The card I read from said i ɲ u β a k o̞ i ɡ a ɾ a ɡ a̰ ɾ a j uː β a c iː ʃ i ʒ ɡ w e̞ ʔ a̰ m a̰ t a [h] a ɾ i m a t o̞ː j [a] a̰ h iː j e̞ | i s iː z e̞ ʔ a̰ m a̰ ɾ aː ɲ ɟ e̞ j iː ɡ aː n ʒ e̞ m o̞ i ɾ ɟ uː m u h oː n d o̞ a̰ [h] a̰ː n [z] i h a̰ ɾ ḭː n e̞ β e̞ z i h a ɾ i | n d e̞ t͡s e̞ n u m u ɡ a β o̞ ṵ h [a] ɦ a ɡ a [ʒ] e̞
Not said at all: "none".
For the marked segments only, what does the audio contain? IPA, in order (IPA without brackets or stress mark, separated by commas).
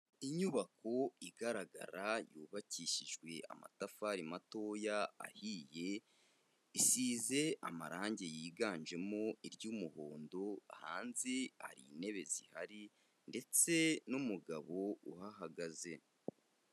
f, a, h, z, a, z